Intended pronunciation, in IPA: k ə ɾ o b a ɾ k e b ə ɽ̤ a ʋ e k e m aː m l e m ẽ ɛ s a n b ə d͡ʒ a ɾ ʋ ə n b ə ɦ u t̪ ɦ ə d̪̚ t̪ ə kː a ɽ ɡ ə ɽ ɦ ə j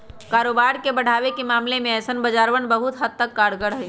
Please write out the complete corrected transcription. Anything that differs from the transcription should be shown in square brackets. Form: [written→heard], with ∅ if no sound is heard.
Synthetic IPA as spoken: k [ə→a] ɾ o b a ɾ k e b ə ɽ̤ a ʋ e k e m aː m l e m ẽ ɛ s [a→ə] n b ə d͡ʒ a ɾ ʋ ə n b ə ɦ u t̪ ɦ ə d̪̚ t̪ ə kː a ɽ ɡ ə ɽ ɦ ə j